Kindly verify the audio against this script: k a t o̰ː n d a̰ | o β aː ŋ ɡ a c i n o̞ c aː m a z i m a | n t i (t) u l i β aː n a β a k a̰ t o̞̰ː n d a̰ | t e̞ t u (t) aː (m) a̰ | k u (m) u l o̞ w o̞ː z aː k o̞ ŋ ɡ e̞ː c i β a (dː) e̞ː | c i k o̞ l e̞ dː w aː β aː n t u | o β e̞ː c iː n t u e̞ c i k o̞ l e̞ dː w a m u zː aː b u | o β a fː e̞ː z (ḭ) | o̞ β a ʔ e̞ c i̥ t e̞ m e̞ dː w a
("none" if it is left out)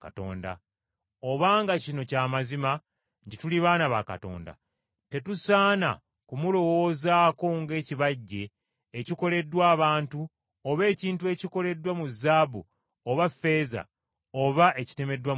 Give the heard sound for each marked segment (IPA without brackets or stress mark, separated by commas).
t, s, n, m, ɟː, a̰